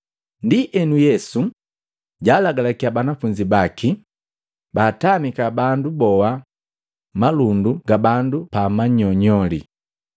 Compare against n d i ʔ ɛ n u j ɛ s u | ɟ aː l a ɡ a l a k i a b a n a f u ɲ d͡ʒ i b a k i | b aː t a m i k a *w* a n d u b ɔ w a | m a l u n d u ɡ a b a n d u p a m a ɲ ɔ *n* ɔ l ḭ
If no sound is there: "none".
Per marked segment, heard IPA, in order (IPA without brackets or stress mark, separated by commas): b, ɲ